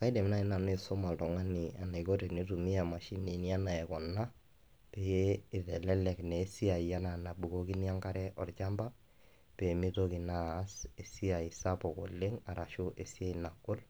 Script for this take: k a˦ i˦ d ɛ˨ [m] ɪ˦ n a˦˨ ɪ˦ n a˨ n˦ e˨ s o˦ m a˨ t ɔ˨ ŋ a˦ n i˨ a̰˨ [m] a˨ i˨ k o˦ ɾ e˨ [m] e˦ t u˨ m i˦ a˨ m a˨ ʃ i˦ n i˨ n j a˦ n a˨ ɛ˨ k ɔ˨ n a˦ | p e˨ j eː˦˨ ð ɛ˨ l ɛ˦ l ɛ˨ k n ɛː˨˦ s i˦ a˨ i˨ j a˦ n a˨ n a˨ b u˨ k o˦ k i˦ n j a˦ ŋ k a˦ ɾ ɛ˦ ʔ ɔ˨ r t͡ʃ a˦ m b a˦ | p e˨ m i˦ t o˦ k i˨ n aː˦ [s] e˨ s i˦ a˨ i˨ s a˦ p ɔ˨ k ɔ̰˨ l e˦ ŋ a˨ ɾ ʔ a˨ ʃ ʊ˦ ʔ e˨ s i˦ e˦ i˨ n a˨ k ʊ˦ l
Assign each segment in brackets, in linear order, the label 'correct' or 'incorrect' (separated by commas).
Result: correct, incorrect, incorrect, correct